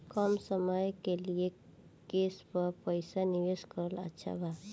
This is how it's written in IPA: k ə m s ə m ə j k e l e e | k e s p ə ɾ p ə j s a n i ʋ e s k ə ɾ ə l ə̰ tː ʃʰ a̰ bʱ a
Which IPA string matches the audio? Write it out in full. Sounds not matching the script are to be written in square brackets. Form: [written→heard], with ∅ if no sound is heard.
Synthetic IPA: k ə m s ə m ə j k e l [e→i] e | k e s p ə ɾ p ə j s a n i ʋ e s k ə ɾ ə l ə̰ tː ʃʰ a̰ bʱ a